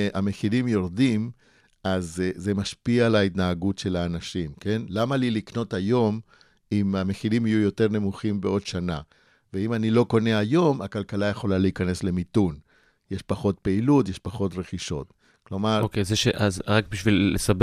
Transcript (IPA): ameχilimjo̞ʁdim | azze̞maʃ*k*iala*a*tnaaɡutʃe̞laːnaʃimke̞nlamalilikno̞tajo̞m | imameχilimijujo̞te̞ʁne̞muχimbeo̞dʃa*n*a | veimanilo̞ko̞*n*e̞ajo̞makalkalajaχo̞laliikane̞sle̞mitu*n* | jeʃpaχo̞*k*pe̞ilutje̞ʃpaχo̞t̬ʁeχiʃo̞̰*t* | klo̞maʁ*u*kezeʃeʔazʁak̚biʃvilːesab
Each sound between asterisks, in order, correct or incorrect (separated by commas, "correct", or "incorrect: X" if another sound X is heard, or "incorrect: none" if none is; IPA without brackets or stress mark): incorrect: p, incorrect: i, correct, correct, correct, incorrect: t, correct, incorrect: o